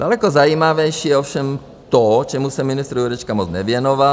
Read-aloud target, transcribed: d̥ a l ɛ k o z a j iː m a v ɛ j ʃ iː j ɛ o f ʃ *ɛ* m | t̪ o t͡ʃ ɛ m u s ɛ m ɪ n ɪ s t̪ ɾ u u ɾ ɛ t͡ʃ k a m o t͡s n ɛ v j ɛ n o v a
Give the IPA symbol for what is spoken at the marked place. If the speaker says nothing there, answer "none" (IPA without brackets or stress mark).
ɛ